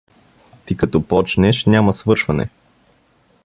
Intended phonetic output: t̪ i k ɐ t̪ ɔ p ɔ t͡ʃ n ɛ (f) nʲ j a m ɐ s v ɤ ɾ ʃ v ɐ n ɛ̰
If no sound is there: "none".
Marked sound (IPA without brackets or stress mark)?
ʃ